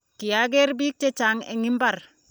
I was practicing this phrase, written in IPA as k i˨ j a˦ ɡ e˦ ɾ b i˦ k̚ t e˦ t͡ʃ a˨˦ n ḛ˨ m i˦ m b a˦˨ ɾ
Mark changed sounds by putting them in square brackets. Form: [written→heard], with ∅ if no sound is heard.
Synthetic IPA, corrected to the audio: k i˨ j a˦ ɡ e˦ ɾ b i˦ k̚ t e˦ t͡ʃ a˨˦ [n→ŋ] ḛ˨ [m→ŋ] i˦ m b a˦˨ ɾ